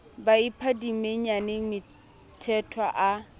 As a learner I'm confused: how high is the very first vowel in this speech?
low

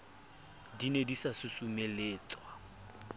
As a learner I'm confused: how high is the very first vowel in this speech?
high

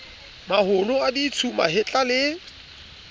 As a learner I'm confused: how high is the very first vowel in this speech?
low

